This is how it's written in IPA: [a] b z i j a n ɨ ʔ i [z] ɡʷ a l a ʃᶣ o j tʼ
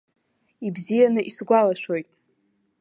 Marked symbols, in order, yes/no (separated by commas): no, no